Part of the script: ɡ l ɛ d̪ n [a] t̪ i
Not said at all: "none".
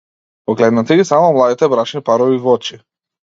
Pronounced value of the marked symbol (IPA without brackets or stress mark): a